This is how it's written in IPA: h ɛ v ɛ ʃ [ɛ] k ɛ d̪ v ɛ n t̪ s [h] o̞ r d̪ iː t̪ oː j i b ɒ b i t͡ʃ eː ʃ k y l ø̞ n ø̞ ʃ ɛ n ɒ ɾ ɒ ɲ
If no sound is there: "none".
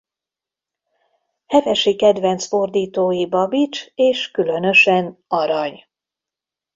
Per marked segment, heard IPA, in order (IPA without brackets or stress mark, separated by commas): i, f